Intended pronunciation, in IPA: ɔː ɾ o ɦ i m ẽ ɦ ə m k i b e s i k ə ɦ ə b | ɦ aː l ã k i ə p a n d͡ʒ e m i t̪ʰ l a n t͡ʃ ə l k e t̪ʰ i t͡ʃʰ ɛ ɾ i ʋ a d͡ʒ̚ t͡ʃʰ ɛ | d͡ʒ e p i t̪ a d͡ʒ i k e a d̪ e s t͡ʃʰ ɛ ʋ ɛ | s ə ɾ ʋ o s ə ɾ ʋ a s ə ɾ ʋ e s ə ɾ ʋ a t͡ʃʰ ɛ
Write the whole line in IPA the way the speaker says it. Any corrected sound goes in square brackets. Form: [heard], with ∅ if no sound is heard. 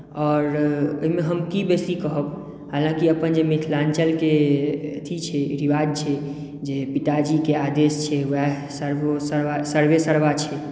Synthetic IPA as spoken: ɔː ɾ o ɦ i m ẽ ɦ ə m k i b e s i k ə ɦ ə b | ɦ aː l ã k i ə p [ə] n d͡ʒ e m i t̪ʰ l a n t͡ʃ ə l k e t̪ʰ i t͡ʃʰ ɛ ɾ i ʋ a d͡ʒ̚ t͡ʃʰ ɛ | d͡ʒ e p i t̪ a d͡ʒ i k e a d̪ e s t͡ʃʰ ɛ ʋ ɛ | s ə ɾ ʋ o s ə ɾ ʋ a s ə ɾ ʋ e s ə ɾ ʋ a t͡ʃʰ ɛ